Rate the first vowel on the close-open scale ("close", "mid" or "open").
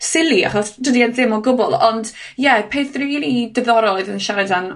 close